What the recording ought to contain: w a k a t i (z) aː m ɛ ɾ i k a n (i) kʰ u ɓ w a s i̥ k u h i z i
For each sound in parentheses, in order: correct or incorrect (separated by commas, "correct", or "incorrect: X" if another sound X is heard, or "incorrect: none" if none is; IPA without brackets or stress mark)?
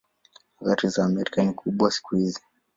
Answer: correct, correct